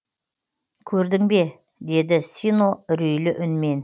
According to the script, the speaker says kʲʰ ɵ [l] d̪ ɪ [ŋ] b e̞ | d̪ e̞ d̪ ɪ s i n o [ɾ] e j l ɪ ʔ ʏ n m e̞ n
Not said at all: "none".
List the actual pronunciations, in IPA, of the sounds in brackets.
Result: ɾ, ŋ, ɾ

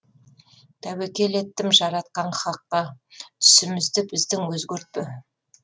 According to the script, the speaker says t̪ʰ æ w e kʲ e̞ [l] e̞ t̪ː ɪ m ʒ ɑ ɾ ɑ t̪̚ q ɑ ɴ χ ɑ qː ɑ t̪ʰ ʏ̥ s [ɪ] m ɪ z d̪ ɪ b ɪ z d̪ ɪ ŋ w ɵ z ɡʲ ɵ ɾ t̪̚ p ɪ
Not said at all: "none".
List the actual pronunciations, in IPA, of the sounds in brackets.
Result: l, ɪ

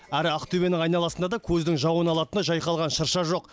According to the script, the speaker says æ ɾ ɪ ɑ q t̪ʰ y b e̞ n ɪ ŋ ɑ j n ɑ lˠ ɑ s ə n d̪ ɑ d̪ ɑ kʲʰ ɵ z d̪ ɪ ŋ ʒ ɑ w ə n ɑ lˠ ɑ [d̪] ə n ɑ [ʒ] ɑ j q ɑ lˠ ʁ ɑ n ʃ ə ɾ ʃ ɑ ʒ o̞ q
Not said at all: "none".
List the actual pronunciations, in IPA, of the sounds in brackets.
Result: t̪, ʒ

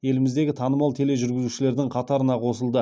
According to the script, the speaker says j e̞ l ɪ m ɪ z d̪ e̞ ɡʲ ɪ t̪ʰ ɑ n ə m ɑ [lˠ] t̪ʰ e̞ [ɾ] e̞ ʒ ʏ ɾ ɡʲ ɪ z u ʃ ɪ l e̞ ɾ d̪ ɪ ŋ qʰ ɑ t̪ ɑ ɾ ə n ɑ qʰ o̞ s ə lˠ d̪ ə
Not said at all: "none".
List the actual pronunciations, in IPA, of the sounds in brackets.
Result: lˠ, l

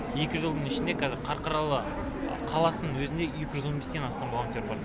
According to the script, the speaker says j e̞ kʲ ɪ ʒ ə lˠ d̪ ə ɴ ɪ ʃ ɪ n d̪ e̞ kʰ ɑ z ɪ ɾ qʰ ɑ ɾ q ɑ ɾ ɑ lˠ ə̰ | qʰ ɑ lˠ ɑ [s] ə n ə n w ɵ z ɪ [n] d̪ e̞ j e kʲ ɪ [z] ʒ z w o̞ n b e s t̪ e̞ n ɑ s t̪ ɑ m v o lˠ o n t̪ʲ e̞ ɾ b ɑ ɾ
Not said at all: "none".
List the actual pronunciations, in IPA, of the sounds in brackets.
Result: s, n, none

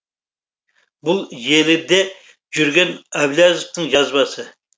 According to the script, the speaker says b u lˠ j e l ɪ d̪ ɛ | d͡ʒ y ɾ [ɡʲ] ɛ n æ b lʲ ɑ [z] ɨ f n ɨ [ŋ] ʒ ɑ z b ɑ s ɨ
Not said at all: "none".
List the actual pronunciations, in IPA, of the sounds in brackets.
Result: ɡʲ, z, ŋ

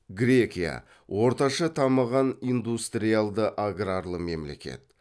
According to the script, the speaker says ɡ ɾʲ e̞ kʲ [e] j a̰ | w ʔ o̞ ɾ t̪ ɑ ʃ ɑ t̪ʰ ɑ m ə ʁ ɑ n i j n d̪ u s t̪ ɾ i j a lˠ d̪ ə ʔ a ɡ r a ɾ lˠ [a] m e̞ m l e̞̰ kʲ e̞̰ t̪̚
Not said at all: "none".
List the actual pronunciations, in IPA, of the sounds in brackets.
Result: i, ə

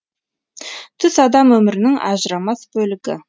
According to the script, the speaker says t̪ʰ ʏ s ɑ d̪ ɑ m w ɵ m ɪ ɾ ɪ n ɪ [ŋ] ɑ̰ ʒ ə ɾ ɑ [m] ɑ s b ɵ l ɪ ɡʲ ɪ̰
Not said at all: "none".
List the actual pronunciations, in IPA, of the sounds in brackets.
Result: ŋ, m

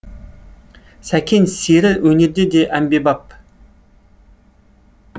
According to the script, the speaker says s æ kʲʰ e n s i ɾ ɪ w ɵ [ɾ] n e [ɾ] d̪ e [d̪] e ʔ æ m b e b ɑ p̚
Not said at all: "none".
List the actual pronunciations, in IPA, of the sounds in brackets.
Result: none, ɾ, d̪

